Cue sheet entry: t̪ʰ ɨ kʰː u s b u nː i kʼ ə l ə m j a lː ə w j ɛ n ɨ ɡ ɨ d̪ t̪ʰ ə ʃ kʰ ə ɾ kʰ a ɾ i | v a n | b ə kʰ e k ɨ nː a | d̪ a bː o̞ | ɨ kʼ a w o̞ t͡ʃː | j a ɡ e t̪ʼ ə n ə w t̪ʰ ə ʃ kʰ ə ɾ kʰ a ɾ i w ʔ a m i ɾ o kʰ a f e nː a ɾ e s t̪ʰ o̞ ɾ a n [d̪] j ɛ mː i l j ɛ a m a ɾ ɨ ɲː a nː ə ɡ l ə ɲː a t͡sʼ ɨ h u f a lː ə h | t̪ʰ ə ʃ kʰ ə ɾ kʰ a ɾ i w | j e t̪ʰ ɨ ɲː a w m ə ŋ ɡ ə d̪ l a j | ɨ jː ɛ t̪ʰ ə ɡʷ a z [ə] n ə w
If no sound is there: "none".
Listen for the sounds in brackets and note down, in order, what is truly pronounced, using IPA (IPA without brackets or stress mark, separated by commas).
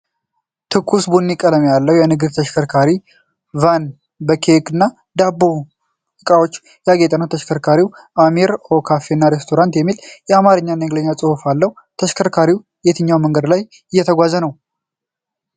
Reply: t̪, ə